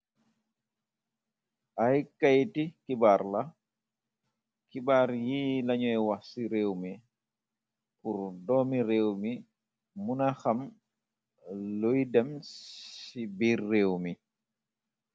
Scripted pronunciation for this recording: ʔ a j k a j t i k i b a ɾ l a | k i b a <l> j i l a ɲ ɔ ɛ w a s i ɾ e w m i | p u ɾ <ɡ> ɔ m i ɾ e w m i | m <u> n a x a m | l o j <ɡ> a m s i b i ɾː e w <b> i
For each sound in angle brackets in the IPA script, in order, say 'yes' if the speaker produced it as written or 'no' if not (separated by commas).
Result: no, no, yes, no, no